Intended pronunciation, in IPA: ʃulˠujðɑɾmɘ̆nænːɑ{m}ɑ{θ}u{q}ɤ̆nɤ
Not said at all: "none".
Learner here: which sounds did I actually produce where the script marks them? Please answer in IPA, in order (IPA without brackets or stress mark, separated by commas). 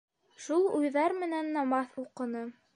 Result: m, θ, q